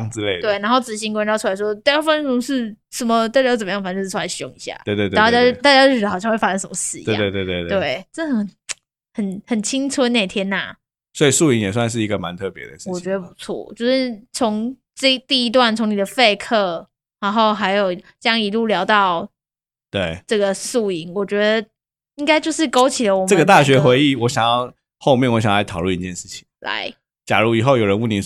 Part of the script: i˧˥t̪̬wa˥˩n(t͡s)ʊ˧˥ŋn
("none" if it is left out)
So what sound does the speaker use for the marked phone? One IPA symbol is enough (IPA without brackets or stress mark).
t͡sʰ